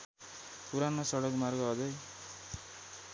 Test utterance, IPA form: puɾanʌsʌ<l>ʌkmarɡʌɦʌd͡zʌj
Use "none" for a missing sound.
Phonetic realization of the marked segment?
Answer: ɽ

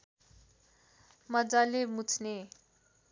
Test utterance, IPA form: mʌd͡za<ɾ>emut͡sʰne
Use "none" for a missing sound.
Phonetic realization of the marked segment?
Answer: l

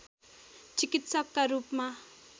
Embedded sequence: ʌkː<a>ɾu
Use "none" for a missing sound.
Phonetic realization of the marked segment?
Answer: a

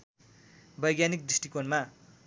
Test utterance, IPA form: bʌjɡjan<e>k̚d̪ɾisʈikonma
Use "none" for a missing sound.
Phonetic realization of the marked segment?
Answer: i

